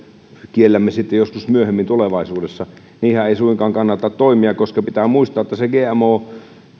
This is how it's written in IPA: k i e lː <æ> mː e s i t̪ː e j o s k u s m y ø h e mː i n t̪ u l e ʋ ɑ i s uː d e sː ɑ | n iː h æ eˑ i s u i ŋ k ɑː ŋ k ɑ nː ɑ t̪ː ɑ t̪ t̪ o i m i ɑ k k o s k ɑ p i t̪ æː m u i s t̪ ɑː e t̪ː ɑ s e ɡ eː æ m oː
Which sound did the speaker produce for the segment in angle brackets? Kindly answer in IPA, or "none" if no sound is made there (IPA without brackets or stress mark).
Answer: æ